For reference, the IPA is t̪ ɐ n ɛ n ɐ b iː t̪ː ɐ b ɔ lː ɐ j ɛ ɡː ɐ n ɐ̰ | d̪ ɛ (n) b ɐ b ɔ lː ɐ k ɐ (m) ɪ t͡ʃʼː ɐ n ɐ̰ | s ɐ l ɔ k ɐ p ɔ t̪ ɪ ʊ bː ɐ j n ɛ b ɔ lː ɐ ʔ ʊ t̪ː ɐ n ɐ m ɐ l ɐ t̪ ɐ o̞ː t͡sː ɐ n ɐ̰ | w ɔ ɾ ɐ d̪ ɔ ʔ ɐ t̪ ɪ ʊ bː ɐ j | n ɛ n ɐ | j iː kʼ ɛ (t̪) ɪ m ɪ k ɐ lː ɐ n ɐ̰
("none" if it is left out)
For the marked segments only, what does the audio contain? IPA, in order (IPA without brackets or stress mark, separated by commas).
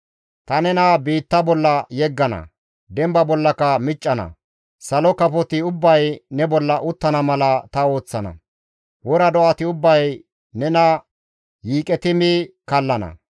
m, m, t̪